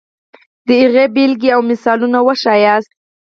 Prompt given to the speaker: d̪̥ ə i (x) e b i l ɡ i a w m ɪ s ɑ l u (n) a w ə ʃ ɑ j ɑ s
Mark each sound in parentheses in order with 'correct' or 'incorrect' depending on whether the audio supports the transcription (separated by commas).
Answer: incorrect, correct